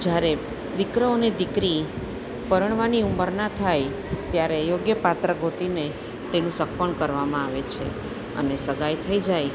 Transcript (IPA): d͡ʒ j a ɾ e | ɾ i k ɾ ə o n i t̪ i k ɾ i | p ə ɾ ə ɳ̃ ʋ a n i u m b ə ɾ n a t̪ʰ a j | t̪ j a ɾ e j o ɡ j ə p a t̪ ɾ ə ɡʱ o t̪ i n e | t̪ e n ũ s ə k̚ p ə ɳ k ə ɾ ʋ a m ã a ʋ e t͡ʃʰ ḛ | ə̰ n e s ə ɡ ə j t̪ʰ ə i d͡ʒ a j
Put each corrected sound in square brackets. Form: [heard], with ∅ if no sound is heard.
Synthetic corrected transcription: d͡ʒ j a ɾ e | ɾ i k ɾ ə o n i [d̪] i k ɾ i | p ə ɾ ə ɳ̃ ʋ a n i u m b ə ɾ n a t̪ʰ a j | t̪ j a ɾ e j o ɡ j ə p a t̪ ɾ ə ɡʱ o t̪ i n e | t̪ e n ũ s ə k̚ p ə ɳ k ə ɾ ʋ a m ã a ʋ e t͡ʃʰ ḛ | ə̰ n e s ə ɡ [a] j t̪ʰ ə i d͡ʒ a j